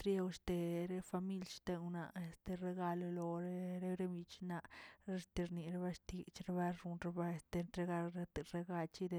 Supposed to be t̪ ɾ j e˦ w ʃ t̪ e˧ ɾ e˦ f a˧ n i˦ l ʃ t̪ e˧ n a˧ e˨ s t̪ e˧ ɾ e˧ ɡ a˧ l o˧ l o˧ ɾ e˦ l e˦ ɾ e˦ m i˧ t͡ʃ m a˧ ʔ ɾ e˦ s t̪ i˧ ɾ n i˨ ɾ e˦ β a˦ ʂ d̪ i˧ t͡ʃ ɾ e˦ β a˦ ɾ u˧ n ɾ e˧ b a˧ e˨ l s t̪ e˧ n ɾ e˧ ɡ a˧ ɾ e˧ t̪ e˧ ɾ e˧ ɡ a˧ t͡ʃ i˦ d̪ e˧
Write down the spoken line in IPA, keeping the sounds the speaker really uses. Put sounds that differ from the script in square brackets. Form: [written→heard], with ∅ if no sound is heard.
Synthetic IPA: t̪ ɾ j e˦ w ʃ t̪ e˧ ɾ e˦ f a˧ [n→m] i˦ l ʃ t̪ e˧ n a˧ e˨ s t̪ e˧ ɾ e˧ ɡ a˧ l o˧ l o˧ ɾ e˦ [l→ɾ] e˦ ɾ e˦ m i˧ t͡ʃ [m→n] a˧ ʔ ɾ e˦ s t̪ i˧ ɾ n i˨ ɾ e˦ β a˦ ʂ [d̪→t̪] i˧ t͡ʃ ɾ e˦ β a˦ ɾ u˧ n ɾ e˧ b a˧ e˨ [l→∅] s t̪ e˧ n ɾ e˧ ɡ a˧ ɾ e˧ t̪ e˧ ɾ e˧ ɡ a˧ t͡ʃ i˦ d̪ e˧